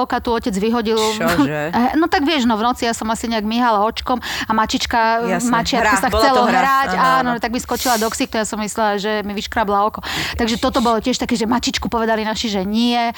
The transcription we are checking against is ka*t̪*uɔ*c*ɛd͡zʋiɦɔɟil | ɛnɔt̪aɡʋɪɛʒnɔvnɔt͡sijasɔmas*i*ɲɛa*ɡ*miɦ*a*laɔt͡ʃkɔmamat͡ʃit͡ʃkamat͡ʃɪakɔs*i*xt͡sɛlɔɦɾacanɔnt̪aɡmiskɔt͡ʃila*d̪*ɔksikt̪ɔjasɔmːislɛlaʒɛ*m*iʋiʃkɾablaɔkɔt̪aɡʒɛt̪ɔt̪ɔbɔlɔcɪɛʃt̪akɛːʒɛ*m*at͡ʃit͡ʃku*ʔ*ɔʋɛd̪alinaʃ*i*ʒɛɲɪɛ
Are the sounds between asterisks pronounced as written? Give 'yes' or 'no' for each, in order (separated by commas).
yes, yes, yes, yes, yes, no, yes, yes, yes, no, yes